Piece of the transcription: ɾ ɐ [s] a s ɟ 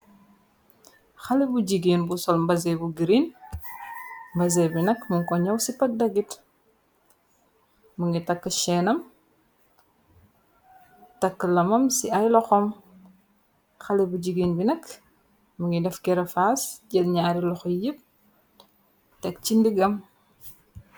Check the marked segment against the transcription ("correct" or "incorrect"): incorrect